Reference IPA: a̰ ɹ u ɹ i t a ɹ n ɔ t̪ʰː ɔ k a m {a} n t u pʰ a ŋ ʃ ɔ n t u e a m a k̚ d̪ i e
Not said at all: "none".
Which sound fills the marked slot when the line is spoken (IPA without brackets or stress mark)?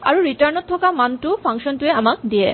a